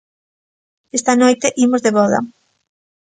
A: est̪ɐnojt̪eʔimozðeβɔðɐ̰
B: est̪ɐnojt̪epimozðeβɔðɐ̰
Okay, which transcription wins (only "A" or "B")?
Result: A